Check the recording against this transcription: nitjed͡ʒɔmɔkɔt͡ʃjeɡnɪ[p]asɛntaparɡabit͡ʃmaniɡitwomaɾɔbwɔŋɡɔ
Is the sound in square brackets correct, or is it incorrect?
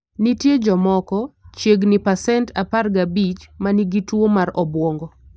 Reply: correct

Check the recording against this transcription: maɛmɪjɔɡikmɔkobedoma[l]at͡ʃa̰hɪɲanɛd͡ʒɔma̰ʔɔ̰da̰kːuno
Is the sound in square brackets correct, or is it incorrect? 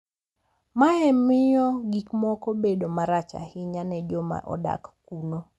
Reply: incorrect: ɾ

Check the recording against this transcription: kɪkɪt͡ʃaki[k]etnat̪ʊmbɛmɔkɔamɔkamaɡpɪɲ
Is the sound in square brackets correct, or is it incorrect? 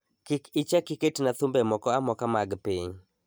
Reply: correct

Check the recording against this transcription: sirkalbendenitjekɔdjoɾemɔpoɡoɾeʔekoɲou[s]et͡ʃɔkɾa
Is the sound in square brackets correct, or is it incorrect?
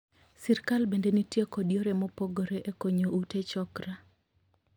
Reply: incorrect: t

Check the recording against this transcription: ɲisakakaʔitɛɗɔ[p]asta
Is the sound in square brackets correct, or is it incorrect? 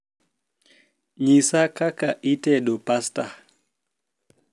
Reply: correct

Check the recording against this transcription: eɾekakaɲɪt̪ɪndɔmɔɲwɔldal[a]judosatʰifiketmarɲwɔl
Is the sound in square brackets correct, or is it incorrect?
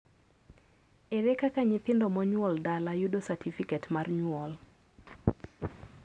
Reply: correct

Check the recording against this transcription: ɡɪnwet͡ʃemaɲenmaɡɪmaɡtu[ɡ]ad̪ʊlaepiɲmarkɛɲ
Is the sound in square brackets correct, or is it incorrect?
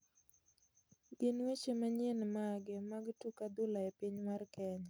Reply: incorrect: k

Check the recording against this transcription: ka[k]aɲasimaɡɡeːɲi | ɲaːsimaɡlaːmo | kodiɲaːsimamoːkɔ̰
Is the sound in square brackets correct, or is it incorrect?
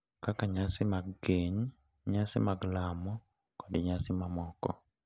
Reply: correct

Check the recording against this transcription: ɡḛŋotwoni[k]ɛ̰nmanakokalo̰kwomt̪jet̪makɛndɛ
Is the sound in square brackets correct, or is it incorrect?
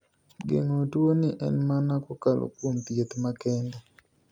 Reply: incorrect: ʔ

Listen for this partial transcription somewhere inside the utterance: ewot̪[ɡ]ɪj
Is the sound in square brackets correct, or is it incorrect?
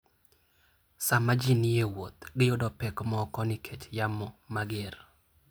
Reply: correct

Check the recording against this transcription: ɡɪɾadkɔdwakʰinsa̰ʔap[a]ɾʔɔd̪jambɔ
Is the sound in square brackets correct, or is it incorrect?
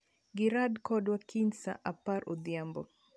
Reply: correct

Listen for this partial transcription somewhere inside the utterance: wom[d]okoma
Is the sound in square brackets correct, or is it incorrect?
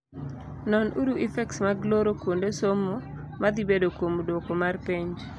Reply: correct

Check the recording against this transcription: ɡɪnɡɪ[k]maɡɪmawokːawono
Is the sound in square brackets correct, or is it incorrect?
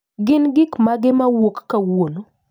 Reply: correct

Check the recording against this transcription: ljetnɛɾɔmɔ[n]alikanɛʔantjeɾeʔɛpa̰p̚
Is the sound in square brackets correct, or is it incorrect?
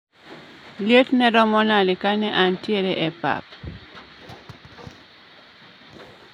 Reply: correct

